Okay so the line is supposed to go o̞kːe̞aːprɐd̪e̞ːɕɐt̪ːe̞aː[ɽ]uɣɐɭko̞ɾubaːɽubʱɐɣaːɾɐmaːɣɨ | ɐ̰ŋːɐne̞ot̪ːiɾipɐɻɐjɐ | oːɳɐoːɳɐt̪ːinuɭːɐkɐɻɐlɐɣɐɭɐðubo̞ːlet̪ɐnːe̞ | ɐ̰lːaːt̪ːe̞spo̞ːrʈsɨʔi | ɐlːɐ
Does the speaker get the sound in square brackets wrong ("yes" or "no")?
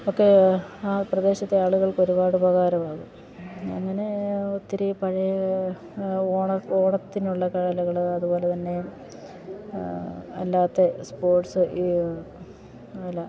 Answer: yes